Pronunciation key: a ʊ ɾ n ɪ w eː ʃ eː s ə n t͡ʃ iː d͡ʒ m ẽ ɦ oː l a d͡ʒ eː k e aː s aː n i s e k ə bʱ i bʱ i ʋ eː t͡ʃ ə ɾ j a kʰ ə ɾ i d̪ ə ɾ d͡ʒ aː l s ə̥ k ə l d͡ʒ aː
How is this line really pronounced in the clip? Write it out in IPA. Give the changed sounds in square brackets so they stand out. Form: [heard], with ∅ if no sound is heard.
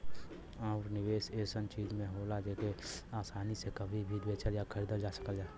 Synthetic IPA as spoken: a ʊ ɾ n ɪ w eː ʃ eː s ə n t͡ʃ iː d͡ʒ m ẽ ɦ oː l a d͡ʒ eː k e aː s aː n i s e k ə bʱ i bʱ i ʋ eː t͡ʃ ə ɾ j a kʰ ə ɾ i d̪ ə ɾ d͡ʒ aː [∅] s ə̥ k ə l d͡ʒ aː